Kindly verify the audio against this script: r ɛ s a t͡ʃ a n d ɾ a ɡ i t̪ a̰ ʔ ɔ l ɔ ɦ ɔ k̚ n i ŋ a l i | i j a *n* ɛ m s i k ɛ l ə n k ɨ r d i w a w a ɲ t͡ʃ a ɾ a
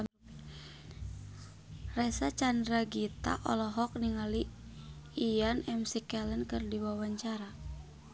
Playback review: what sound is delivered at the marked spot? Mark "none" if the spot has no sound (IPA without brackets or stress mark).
n